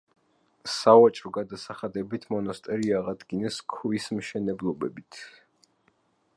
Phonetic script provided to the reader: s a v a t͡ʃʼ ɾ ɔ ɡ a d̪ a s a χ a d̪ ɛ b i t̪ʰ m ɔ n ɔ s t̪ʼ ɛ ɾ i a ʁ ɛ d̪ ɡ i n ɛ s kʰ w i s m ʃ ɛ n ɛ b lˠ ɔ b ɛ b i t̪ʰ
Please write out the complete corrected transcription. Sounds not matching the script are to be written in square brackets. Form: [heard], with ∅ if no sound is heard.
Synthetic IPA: s a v a t͡ʃʼ ɾ ɔ ɡ a d̪ a s a χ a d̪ ɛ b i t̪ʰ m ɔ n ɔ s t̪ʼ ɛ ɾ i a ʁ [a] d̪ ɡ i n ɛ s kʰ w i s m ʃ ɛ n ɛ b lˠ ɔ b ɛ b i t̪ʰ